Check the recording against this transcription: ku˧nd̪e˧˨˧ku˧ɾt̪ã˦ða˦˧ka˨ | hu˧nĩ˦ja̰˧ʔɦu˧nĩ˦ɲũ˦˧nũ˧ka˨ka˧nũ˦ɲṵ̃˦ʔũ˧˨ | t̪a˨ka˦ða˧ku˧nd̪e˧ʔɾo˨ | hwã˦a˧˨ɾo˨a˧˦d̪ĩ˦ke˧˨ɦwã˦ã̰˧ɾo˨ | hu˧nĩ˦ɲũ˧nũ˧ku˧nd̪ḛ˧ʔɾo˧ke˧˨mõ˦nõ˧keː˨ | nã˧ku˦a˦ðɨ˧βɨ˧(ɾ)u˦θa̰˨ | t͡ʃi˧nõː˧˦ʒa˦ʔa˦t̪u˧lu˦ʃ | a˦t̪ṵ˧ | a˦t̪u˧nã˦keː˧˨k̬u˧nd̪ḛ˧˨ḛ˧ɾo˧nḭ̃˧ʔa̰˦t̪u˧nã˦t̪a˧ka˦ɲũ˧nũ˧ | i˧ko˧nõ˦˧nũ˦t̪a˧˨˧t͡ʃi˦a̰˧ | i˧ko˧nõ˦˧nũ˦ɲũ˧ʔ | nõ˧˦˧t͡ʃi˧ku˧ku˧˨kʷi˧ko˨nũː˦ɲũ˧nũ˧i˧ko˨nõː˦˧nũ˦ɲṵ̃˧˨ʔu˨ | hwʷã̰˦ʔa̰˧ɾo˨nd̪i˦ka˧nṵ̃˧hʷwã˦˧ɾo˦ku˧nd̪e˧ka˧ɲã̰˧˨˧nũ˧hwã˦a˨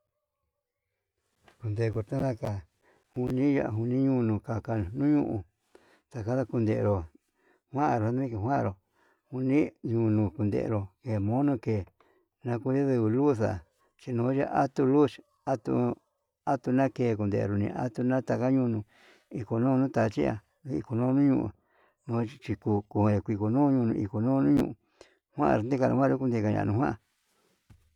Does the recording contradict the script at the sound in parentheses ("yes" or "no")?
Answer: yes